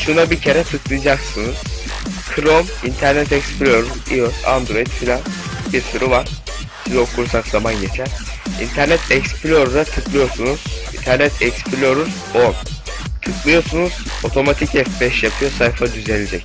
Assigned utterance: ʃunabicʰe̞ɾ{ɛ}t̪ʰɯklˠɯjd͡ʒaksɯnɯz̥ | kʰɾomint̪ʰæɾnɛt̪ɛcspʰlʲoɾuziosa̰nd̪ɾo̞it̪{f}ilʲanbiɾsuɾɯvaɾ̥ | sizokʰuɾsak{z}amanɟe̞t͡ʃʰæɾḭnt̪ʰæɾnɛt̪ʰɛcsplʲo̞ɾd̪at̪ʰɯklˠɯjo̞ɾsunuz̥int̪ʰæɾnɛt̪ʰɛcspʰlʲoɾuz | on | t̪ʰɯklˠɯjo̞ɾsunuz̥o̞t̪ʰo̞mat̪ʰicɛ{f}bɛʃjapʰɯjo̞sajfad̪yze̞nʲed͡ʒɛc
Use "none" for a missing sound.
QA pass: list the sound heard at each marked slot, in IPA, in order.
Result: ɛ, f, z, f

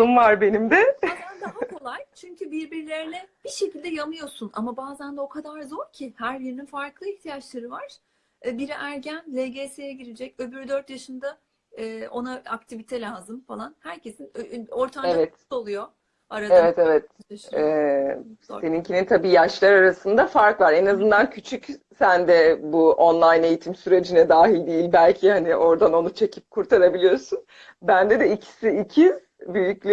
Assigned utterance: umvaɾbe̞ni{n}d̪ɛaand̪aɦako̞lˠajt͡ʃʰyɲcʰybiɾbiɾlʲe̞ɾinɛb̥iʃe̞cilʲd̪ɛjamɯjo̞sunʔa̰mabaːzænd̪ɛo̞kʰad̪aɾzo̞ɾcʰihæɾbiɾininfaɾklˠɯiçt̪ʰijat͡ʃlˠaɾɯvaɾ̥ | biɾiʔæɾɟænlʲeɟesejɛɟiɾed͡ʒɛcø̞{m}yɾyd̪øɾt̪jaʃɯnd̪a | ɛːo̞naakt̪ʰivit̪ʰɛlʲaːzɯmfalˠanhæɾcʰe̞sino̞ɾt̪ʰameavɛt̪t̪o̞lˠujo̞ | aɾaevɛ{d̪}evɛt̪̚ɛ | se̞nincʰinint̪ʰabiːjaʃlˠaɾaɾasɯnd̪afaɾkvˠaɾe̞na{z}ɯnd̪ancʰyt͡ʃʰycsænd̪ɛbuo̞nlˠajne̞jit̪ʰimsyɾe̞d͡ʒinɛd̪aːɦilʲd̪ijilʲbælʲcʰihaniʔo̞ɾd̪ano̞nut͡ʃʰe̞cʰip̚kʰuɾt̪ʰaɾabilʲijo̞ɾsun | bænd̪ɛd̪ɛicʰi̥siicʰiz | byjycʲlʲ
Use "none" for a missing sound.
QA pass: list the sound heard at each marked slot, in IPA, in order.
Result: m, b, t̪, z

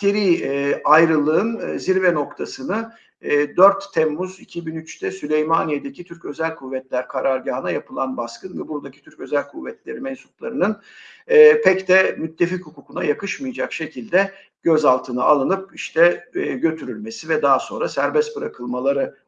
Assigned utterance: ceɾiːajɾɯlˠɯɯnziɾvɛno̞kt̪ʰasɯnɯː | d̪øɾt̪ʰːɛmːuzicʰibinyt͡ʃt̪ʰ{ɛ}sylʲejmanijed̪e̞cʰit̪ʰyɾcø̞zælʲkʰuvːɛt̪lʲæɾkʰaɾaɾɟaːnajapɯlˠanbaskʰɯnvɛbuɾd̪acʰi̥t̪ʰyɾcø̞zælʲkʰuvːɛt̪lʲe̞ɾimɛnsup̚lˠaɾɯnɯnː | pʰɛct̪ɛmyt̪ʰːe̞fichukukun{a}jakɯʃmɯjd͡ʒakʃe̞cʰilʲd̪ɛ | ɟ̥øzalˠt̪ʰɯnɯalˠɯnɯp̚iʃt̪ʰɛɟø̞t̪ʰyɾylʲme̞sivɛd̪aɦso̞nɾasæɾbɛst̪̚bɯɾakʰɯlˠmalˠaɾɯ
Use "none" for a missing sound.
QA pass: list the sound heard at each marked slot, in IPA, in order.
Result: ɛ, a

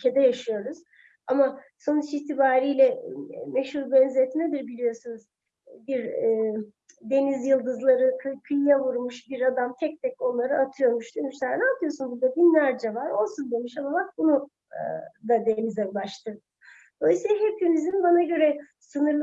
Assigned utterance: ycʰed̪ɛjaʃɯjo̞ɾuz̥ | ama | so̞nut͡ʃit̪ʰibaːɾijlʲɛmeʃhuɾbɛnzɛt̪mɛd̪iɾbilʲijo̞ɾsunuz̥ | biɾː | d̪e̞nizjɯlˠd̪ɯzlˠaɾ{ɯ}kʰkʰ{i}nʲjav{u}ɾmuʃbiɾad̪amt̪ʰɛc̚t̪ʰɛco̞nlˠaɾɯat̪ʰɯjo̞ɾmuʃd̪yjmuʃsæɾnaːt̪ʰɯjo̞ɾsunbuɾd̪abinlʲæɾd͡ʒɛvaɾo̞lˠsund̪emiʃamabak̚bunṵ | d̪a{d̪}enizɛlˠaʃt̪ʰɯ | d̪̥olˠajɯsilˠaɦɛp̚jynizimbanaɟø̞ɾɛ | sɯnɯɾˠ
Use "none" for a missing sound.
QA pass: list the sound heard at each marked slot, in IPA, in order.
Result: ɯ, y, u, d̪

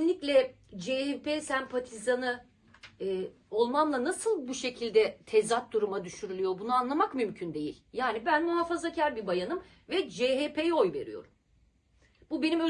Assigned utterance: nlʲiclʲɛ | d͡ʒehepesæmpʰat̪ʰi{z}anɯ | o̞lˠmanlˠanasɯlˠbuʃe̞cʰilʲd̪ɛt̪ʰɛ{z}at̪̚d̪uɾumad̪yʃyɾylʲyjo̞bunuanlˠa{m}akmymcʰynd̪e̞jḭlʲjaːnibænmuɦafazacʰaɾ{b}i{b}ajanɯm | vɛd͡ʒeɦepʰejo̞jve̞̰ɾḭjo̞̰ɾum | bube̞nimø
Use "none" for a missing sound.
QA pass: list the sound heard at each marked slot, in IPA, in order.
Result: z, z, m, b, b

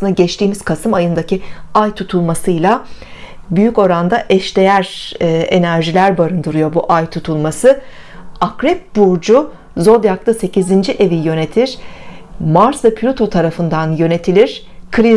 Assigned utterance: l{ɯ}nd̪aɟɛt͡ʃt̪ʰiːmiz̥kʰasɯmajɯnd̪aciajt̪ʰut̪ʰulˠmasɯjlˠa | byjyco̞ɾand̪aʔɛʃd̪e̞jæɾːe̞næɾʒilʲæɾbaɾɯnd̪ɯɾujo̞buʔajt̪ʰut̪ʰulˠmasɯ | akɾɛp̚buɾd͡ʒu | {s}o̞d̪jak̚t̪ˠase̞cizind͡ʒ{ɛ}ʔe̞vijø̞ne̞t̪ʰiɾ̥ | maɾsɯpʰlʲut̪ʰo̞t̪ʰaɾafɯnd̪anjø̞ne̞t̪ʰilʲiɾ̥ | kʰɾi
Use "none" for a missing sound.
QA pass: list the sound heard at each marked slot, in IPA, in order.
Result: ɯ, z, i

